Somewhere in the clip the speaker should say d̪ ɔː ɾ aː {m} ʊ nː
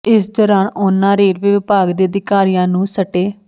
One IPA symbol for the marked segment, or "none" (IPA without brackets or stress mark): n